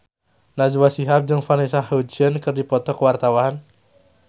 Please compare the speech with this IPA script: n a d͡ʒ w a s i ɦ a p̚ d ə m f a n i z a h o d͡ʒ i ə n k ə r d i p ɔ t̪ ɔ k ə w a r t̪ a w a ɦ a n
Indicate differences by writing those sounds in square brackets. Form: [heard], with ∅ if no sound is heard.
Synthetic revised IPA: n a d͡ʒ w a s i ɦ a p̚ [d͡ʒ] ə [ŋ] f a n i [s] a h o d͡ʒ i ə n k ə r d i p ɔ t̪ ɔ k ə w a r t̪ a w a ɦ a n